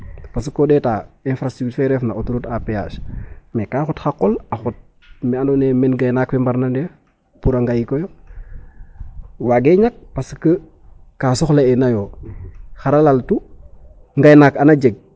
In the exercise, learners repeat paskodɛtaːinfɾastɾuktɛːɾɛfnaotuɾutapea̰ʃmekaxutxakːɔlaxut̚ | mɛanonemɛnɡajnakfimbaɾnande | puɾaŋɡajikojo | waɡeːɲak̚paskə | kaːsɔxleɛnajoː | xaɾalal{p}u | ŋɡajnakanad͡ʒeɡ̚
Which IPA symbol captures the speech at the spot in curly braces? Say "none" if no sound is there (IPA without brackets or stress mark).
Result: t